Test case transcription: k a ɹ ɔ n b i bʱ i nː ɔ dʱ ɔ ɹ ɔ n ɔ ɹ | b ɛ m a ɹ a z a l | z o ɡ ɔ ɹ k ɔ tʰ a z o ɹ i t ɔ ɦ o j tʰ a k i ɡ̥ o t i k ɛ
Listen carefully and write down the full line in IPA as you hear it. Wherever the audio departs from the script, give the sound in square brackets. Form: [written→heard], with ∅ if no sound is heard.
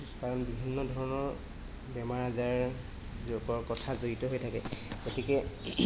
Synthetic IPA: k a ɹ ɔ n b i bʱ i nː ɔ dʱ ɔ ɹ ɔ n ɔ ɹ | b ɛ m a ɹ a z a [l→ɹ] | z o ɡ ɔ ɹ k ɔ tʰ a z o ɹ i t ɔ ɦ o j tʰ a k [i→ɛ] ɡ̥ o t i k ɛ